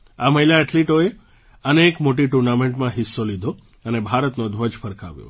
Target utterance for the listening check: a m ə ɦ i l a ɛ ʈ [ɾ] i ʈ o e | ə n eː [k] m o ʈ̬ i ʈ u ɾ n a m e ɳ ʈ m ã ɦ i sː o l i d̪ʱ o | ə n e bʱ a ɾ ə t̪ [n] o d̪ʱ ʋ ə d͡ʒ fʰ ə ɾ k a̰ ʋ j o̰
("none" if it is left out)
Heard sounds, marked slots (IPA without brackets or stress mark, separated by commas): l, k, n